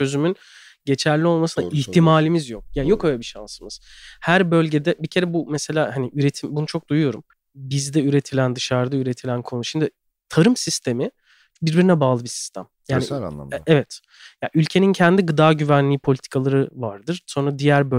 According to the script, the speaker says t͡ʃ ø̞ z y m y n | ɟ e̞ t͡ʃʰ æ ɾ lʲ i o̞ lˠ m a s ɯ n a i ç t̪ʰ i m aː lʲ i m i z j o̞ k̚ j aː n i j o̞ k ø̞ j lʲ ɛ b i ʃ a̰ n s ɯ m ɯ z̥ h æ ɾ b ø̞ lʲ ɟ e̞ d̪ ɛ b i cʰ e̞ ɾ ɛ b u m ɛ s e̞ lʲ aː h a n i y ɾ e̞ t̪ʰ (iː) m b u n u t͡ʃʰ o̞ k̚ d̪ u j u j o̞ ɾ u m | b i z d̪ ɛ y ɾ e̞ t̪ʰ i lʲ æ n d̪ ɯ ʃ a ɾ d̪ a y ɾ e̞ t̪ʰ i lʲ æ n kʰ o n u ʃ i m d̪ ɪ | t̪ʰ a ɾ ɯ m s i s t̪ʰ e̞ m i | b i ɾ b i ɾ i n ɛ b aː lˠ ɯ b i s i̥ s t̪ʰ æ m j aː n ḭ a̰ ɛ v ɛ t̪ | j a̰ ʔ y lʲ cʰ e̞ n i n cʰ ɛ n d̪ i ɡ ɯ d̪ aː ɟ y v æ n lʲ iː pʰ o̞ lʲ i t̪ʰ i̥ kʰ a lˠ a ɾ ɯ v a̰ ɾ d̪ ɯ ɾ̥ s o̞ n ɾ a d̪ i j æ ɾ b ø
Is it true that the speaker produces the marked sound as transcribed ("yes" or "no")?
no